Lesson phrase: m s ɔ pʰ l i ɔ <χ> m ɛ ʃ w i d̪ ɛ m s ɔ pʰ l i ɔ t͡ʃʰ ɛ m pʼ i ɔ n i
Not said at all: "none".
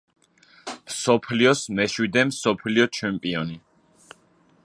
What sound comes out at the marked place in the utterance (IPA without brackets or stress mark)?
s